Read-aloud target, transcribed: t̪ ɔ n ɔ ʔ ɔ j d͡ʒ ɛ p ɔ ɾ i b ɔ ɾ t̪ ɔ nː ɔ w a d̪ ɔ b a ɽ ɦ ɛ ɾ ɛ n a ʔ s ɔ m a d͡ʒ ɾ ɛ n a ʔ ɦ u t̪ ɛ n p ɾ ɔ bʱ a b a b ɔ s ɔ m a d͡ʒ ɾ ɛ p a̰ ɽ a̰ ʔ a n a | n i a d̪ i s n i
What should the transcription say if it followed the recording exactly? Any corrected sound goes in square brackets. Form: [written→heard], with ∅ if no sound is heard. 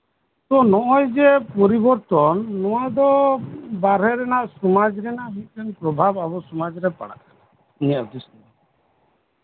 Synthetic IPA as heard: t̪ ɔ n ɔ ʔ ɔ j d͡ʒ ɛ p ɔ ɾ i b ɔ ɾ t̪ ɔ nː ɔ w a d̪ ɔ b a [ɽ→ɾ] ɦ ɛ ɾ ɛ n a ʔ s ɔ m a d͡ʒ ɾ ɛ n a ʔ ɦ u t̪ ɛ n p ɾ ɔ bʱ a b a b ɔ s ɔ m a d͡ʒ ɾ ɛ p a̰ ɽ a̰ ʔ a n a | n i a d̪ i s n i